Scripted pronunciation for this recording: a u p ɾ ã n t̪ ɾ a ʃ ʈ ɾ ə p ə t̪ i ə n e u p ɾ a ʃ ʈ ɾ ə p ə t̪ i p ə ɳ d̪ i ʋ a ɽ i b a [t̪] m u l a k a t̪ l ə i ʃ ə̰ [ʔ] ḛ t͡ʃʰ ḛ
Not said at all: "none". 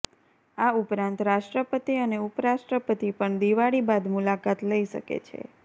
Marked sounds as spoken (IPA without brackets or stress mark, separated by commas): d̪, k